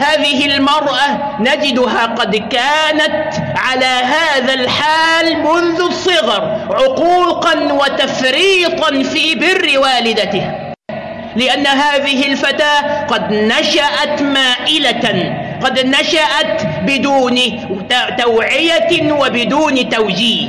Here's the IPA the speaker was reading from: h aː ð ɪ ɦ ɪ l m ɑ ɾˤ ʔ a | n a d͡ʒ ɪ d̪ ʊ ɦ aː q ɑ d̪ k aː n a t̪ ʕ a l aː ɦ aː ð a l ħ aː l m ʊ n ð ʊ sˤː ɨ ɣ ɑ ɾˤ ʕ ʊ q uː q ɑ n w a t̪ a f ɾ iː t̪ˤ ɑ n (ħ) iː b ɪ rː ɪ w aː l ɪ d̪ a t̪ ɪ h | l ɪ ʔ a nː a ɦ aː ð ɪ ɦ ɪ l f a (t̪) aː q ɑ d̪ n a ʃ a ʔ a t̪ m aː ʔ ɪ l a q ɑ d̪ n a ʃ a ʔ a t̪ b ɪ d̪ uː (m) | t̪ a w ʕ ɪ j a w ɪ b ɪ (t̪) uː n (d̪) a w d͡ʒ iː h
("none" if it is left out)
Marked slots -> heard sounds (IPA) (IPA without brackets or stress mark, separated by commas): f, t̪, n, d̪, t̪